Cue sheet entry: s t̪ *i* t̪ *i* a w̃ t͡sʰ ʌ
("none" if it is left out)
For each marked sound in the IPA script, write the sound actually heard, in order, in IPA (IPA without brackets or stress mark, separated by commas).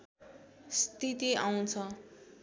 i, i